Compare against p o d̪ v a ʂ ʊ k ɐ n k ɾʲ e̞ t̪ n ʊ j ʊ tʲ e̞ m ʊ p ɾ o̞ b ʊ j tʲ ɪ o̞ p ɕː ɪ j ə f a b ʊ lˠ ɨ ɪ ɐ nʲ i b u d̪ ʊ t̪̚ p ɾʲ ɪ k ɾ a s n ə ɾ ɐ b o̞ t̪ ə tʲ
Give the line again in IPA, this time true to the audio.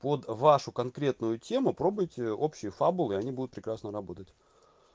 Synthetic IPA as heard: p o d̪ v a ʂ ʊ k ɐ n k ɾʲ e̞ t̪ n ʊ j ʊ tʲ e̞ m ʊ p ɾ o̞ b ʊ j tʲ ɪ o̞ p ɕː ɪ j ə f a b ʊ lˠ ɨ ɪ ɐ nʲ i b u d̪ ʊ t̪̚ p ɾʲ ɪ k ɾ a s n ə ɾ ɐ b o̞ t̪ ə tʲ